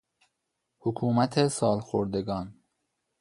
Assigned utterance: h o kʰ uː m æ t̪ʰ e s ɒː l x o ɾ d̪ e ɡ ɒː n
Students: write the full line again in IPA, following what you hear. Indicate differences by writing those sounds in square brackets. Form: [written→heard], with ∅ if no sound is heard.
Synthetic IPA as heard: h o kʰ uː m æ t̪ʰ e s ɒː l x o ɾ d̪ e ɡ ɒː n